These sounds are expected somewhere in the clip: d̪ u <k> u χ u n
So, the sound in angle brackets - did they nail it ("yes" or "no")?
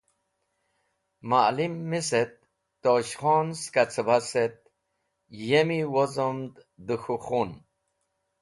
no